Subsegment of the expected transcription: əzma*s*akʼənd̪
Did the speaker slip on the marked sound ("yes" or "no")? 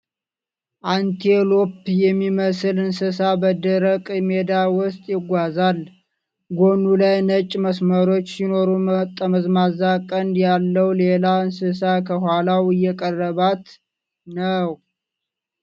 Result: yes